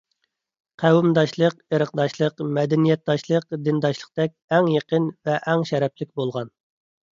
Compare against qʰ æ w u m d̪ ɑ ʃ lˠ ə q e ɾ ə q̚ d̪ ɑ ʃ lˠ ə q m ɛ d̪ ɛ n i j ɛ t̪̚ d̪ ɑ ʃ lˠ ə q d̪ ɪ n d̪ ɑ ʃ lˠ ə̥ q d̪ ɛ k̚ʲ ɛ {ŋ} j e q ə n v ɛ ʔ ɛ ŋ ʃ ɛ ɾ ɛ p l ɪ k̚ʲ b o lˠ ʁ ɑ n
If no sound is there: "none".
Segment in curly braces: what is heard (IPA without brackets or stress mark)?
ŋ